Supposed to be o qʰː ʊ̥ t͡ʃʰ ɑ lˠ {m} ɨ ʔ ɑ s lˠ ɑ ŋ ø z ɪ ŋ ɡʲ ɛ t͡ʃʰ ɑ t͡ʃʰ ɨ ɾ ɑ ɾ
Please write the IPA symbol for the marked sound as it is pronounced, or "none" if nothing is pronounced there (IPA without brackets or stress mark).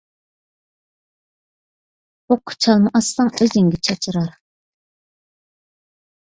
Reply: m